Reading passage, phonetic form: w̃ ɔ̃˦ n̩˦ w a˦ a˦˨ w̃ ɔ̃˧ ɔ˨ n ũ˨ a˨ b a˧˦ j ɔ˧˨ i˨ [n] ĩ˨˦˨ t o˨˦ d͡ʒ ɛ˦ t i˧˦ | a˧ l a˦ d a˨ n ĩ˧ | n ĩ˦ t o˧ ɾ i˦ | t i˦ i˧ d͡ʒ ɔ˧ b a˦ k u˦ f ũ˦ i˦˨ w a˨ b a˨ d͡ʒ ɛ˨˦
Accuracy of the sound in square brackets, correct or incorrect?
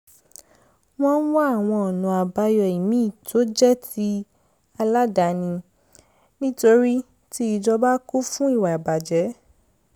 incorrect